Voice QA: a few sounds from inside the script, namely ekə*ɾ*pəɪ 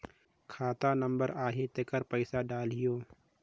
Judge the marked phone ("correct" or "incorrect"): correct